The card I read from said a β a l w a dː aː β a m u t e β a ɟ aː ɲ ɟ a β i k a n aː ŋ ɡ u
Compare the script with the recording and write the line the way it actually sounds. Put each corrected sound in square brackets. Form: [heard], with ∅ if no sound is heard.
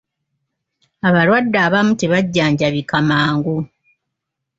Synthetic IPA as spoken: a β a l w a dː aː β a m u t e β a [ɟː] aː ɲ ɟ a β i k a [m] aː ŋ ɡ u